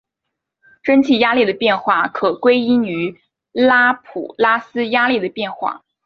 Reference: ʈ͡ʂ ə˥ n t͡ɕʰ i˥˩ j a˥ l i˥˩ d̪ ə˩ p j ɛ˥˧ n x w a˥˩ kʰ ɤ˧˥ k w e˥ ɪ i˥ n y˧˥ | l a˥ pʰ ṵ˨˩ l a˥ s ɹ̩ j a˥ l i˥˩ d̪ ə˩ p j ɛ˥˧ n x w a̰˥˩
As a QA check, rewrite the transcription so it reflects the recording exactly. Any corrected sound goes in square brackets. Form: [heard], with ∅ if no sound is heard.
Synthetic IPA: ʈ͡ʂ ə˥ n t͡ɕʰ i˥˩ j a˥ l i˥˩ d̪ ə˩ p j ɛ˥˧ n x w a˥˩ kʰ [ɤ˨˩] k w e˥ ɪ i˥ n y˧˥ | l a˥ pʰ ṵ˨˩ l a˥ s ɹ̩ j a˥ l i˥˩ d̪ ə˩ p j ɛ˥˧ n x w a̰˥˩